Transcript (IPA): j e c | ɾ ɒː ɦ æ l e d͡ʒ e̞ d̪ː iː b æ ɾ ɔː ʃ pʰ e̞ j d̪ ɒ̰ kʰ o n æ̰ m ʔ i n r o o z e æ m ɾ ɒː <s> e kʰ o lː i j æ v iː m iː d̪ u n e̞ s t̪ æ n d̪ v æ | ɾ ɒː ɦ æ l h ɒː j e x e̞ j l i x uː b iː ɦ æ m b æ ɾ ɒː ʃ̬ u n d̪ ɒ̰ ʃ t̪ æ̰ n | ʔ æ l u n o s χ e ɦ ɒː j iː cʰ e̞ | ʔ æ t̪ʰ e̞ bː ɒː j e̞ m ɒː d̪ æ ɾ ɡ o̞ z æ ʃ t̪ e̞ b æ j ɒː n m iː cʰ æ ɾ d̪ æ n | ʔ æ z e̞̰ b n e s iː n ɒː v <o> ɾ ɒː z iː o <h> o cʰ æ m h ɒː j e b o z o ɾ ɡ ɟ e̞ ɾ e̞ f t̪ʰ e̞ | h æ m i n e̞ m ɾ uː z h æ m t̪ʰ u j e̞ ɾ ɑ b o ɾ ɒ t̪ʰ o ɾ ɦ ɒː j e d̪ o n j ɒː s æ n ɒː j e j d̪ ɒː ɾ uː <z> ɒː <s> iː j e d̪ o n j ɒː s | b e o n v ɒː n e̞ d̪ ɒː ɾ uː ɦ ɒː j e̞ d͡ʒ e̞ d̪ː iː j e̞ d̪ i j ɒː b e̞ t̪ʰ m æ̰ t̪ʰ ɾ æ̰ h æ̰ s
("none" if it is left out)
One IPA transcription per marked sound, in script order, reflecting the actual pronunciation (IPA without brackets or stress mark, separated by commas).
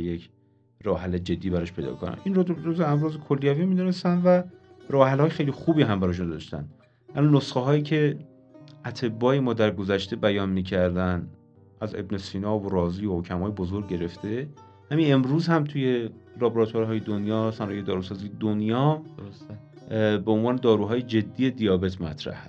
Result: z, o, h, s, z